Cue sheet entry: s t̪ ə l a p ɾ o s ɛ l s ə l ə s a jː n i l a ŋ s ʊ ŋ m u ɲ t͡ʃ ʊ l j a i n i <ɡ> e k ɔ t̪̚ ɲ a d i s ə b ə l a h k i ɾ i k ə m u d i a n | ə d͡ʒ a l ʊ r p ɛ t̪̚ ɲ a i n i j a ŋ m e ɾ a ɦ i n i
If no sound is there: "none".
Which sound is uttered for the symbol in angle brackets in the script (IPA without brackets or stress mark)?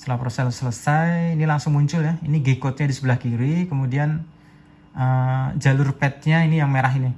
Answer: ɡ